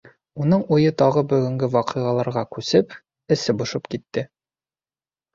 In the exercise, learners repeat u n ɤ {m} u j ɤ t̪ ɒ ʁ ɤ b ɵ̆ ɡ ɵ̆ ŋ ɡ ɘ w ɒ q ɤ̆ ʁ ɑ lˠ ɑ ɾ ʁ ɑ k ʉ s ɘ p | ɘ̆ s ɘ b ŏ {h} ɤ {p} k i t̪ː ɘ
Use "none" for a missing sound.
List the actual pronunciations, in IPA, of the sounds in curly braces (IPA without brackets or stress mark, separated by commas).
ɴ, ʃ, p